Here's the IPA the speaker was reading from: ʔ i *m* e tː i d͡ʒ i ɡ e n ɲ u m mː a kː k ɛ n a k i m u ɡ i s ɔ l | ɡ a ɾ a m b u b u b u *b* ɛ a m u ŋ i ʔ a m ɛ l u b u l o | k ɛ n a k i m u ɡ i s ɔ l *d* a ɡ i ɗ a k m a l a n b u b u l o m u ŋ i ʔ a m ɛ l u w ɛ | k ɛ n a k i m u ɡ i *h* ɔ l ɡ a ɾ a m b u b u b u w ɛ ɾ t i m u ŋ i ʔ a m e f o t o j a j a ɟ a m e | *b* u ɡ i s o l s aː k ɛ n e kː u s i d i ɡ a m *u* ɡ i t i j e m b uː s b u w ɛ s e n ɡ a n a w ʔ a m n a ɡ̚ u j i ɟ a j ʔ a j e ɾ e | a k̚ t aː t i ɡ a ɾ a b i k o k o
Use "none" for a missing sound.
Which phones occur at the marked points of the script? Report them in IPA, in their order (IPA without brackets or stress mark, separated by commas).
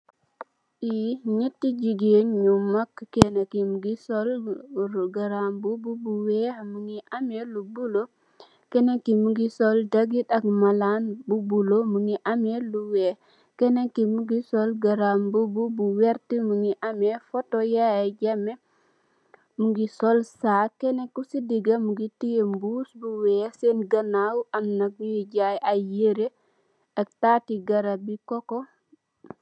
ɲ, w, d, s, m, u